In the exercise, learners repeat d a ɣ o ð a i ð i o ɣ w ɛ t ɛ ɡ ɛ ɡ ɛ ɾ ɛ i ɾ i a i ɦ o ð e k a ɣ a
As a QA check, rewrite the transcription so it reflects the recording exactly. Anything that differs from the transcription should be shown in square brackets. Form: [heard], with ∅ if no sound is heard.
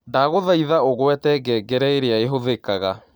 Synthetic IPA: d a ɣ o ð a i ð [a] o ɣ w ɛ t ɛ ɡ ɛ ɡ ɛ ɾ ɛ [e] ɾ [e] a [e] ɦ o ð e k a ɣ a